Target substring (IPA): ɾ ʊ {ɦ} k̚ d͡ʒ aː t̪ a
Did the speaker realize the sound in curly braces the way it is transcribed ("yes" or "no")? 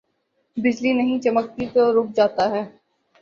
no